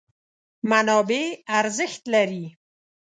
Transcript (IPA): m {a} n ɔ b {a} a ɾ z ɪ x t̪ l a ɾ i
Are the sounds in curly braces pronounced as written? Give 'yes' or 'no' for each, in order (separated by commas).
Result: yes, no